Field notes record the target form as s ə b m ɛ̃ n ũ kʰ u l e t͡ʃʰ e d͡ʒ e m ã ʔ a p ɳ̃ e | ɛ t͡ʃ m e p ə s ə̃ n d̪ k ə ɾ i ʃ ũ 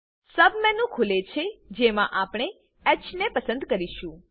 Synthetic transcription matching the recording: s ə b m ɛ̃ n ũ kʰ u l e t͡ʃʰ e d͡ʒ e m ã ʔ a p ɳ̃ e | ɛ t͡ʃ n e p ə s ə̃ n d̪ k ə ɾ i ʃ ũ